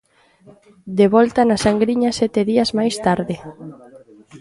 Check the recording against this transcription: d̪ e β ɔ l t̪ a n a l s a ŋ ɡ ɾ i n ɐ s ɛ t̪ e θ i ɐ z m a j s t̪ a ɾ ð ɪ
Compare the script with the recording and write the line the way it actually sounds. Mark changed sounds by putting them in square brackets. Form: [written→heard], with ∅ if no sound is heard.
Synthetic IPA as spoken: d̪ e β ɔ l t̪ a n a [l→∅] s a ŋ ɡ ɾ i [n→ɲ] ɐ s ɛ t̪ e [θ→ð] i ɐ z m a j s t̪ a ɾ ð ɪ